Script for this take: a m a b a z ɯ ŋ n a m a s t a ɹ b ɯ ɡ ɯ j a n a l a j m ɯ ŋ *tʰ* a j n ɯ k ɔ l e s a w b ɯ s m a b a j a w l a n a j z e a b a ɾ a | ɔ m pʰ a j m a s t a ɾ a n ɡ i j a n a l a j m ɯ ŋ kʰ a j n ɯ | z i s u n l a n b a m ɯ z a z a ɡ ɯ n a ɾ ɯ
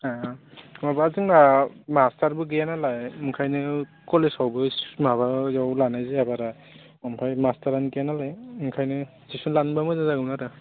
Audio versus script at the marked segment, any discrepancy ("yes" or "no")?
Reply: yes